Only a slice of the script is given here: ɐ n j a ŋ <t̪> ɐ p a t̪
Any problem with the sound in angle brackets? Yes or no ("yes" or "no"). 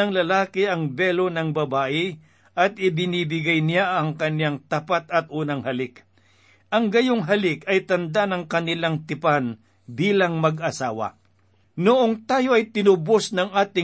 no